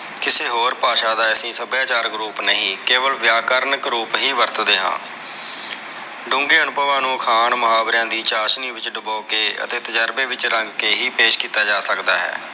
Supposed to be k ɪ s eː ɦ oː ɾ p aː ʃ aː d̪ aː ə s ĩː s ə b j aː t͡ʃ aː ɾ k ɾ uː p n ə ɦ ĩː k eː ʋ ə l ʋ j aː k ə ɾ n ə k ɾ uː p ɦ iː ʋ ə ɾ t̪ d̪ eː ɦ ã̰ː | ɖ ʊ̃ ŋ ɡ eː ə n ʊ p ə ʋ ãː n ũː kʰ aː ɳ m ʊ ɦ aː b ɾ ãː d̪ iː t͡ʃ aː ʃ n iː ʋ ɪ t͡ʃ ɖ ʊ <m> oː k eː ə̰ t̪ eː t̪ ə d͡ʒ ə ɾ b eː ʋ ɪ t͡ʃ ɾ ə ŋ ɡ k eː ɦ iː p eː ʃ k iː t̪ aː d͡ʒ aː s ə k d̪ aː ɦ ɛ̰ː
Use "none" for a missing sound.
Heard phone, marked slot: b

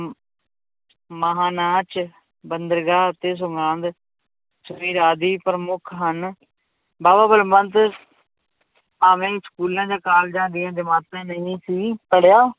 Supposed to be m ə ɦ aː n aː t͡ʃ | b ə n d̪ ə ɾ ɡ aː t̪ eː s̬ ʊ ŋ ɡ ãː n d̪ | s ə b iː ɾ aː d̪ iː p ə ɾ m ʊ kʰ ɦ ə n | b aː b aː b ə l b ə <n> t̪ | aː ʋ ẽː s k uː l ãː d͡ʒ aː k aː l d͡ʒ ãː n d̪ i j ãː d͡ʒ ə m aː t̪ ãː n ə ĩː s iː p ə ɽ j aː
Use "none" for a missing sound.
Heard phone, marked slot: n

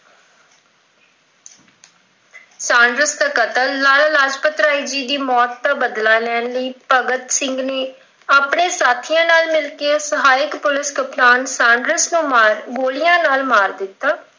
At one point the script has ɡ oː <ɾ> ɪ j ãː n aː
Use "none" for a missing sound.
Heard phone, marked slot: l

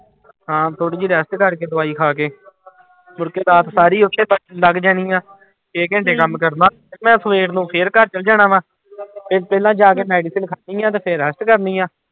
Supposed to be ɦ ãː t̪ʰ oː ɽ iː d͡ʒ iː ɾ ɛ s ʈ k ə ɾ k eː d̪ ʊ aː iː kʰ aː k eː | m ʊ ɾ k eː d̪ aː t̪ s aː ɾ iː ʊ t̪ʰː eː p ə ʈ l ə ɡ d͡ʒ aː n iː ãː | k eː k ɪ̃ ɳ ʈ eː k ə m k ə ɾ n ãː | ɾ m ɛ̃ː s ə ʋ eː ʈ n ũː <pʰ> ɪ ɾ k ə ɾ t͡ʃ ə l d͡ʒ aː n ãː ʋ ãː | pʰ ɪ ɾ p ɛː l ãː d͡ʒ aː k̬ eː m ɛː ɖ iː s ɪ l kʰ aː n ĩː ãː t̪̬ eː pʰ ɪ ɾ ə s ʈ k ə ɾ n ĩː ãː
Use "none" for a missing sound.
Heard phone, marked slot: pʰ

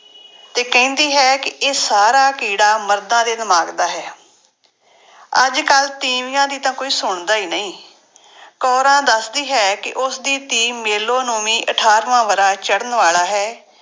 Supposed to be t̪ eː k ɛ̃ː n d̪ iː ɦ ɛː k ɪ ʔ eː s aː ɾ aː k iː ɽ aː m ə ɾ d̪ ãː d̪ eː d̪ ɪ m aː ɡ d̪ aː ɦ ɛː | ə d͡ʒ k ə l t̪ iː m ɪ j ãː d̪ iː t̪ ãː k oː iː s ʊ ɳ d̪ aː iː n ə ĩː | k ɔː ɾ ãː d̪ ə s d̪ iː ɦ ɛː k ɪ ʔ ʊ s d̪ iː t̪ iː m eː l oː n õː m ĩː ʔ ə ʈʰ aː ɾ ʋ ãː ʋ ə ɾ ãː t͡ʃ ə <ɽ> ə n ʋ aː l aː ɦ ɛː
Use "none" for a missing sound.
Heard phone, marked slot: ɽ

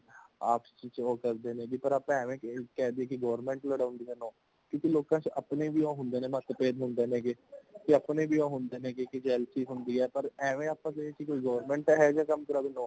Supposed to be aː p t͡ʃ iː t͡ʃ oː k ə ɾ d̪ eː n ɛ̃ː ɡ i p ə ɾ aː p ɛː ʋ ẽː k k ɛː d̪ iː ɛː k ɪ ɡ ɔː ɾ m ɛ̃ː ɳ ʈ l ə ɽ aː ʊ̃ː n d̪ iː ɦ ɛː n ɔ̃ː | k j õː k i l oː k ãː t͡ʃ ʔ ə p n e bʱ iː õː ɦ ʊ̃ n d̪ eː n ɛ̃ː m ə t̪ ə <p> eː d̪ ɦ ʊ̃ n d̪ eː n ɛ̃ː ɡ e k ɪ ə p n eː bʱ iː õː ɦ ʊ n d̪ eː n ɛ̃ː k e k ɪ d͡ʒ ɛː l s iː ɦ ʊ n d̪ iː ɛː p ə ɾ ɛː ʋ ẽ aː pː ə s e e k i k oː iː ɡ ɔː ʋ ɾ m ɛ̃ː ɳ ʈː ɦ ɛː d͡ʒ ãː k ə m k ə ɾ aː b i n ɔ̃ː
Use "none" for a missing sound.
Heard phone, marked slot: p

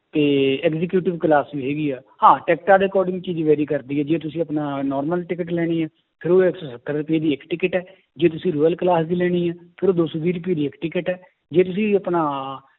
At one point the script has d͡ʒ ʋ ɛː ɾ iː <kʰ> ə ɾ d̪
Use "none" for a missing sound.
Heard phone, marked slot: k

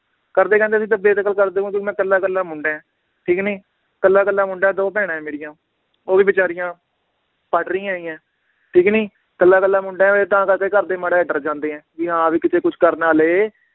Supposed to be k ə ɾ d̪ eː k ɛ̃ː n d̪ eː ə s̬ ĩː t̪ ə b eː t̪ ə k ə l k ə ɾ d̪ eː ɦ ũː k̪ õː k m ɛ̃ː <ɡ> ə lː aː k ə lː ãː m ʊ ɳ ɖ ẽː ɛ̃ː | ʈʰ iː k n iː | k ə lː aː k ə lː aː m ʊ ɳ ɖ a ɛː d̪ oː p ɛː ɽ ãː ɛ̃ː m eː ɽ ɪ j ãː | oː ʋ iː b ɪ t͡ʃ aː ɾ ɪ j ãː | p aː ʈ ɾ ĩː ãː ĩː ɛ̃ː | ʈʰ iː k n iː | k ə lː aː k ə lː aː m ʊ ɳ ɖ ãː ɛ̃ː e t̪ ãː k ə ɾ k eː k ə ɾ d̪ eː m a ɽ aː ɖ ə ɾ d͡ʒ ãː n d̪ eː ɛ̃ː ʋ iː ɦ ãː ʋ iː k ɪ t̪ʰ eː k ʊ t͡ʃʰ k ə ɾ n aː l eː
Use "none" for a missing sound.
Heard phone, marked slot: k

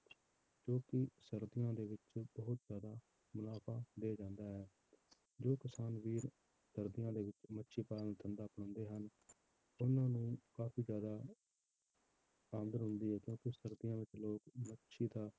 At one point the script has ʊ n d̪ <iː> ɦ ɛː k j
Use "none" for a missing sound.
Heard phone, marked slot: iː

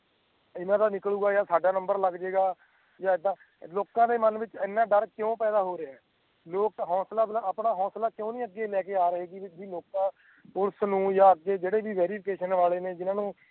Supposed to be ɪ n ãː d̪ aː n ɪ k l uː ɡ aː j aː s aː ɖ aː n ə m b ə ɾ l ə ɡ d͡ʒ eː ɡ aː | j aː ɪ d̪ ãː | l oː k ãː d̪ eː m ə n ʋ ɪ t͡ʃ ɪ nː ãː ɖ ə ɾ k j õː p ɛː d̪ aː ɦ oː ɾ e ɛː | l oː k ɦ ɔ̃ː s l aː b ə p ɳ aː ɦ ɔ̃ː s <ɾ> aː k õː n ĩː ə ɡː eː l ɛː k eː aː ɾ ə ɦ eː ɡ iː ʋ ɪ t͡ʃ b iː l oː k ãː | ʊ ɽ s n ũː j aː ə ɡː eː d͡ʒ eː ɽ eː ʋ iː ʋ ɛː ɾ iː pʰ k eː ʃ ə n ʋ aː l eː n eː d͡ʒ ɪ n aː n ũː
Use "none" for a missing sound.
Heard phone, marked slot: l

